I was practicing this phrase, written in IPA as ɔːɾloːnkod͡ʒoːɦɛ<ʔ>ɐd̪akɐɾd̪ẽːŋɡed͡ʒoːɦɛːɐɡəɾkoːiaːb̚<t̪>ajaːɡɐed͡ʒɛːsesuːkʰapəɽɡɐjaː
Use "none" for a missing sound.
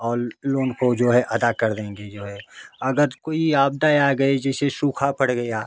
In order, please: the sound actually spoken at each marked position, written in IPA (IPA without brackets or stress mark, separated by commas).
ʔ, d̪